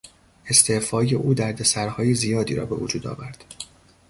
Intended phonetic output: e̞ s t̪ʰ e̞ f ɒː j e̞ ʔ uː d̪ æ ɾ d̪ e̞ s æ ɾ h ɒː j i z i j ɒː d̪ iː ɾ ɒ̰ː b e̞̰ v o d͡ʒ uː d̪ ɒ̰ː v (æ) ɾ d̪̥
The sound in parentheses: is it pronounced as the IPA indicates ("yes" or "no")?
yes